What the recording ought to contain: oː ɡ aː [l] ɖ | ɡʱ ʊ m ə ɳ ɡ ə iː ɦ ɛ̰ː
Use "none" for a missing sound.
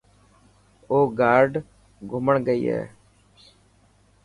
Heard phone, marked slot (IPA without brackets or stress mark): ɾ